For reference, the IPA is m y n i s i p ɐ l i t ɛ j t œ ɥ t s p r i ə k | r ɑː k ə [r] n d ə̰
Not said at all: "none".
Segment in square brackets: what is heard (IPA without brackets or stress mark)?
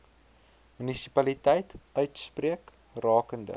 none